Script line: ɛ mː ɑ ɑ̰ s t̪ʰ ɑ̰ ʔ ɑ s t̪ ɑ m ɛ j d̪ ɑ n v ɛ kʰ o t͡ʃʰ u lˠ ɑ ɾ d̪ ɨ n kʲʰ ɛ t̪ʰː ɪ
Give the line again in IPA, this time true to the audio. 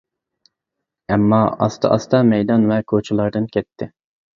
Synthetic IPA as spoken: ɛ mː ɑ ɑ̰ s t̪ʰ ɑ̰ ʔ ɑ s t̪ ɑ m ɛ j d̪ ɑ n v ɛ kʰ o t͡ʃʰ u lˠ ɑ ɾ d̪ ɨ n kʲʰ ɛ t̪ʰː ɪ

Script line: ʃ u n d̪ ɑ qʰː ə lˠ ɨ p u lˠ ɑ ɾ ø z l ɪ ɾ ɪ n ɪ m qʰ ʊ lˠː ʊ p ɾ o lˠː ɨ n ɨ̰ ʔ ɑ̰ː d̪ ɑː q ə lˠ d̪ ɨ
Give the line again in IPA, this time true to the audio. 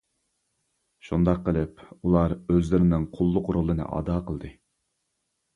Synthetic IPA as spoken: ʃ u n d̪ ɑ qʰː ə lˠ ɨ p u lˠ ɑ ɾ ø z l ɪ ɾ ɪ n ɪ ŋ qʰ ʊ lˠː ʊ q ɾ o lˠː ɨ n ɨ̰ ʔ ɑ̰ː d̪ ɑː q ə lˠ d̪ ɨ

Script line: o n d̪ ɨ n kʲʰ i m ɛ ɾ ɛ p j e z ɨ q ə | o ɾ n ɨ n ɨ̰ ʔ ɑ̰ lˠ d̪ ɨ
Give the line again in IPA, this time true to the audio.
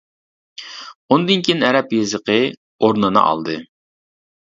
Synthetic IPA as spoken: o n d̪ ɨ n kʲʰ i n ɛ ɾ ɛ p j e z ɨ q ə | o ɾ n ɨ n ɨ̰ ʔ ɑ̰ lˠ d̪ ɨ

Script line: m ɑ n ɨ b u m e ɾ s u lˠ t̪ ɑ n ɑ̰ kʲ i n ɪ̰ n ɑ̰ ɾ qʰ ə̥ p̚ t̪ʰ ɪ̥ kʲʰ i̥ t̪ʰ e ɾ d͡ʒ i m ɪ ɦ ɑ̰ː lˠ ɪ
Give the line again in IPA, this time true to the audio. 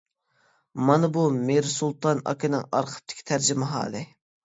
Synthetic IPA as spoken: m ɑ n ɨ b u m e ɾ s u lˠ t̪ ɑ n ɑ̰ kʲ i n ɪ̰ ŋ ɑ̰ ɾ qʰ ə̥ p̚ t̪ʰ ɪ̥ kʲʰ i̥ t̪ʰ æ ɾ d͡ʒ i m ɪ ɦ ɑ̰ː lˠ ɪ

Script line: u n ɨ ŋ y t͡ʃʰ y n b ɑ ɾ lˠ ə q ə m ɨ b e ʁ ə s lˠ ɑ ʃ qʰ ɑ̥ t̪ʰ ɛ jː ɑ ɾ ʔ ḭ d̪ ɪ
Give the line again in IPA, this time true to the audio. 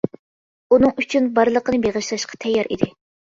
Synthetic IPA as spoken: u n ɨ ŋ y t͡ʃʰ y n b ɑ ɾ lˠ ə q ə n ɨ b e ʁ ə ʃ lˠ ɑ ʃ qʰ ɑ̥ t̪ʰ ɛ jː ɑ ɾ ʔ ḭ d̪ ɪ

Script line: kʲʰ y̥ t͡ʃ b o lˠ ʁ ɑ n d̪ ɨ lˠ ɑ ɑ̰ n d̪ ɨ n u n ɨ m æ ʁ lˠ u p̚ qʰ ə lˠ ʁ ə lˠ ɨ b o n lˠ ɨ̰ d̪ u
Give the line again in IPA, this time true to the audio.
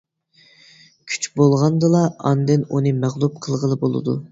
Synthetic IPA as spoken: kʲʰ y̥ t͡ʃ b o lˠ ʁ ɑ n d̪ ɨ lˠ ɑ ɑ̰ n d̪ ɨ n u n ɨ m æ ʁ lˠ u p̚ qʰ ə lˠ ʁ ə lˠ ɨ b o lˠ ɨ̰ d̪ u

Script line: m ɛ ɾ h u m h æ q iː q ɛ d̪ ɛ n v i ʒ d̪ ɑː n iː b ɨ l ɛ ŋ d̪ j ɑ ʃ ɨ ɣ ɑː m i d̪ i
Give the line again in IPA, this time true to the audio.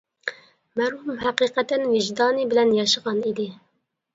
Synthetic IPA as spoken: m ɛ ɾ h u m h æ q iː q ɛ t̪ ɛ n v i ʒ d̪ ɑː n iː b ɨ l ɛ n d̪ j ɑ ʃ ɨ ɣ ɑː n i d̪ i

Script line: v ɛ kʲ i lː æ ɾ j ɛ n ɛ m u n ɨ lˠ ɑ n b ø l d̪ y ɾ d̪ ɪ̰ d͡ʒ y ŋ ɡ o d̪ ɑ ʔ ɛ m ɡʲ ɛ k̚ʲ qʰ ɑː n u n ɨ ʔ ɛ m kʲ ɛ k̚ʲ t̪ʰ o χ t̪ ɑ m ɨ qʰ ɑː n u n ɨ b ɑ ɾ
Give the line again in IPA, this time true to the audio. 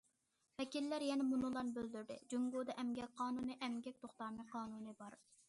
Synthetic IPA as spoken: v ɛ kʲ i lː æ ɾ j ɛ n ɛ m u n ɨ lˠ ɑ n b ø l d̪ y ɾ d̪ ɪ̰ d͡ʒ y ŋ ɡ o d̪ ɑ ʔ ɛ m ɡʲ ɛ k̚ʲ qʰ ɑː n u n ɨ ʔ ɛ m ɡʲ ɛ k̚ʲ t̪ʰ o χ t̪ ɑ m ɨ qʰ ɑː n u n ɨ b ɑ ɾ

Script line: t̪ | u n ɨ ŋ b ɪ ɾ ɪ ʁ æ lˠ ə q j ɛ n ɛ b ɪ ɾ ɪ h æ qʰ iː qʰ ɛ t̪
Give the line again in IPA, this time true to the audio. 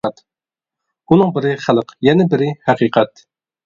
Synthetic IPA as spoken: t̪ | u n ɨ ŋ b ɪ ɾ ɪ χ æ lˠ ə q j ɛ n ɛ b ɪ ɾ ɪ h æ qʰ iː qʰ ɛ t̪

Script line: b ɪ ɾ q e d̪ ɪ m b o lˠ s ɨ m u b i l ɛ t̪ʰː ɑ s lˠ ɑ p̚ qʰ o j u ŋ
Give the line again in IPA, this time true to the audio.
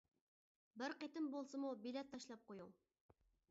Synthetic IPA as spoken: b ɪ ɾ q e t̪ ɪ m b o lˠ s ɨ m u b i l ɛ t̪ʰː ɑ ʃ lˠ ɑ p̚ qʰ o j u ŋ

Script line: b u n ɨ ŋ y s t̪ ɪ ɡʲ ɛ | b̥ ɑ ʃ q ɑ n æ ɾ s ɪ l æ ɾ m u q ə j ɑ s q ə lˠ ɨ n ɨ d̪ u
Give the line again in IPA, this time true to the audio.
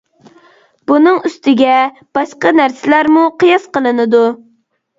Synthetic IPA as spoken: b u n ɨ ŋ y s t̪ ɪ ɡʲ ɛ | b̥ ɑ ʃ q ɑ n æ ɾ s ɪ l æ ɾ m u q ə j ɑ s q ə lˠ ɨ n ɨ d̪ u

